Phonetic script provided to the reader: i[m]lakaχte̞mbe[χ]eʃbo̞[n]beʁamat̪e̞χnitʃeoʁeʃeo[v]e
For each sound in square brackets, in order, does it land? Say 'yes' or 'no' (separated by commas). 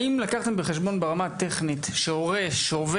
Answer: yes, yes, yes, yes